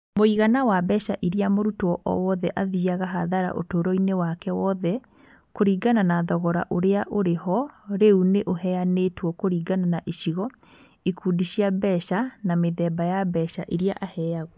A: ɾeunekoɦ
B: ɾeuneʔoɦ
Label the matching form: B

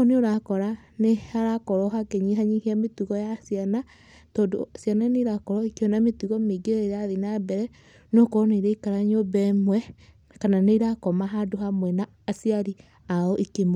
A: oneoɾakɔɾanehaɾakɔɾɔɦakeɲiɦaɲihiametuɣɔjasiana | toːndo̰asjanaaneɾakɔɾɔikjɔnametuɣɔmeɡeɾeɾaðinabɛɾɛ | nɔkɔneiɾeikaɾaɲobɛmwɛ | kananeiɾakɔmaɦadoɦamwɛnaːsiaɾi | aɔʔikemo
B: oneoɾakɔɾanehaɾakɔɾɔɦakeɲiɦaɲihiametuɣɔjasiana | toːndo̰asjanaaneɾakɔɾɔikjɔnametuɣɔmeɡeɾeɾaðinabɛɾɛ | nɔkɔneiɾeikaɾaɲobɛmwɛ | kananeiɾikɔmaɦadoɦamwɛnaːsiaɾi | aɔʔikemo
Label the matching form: A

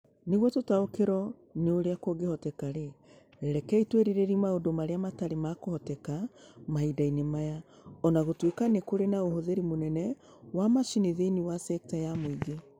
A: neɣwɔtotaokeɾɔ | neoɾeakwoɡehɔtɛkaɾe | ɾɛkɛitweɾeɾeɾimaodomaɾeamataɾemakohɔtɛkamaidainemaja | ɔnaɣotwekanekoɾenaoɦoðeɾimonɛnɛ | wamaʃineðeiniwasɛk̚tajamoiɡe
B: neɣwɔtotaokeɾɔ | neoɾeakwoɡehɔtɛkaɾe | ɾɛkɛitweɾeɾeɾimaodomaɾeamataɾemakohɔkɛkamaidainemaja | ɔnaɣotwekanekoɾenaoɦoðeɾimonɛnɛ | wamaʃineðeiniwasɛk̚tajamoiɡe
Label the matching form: A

